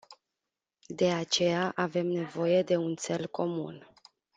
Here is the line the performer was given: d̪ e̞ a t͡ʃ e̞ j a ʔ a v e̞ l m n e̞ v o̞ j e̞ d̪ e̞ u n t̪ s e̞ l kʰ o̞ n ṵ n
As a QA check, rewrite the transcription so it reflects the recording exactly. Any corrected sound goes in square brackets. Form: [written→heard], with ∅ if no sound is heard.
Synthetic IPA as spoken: d̪ e̞ a t͡ʃ e̞ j a ʔ a v e̞ [l→∅] m n e̞ v o̞ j e̞ d̪ e̞ u n t̪ s e̞ l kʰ o̞ [n→m] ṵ n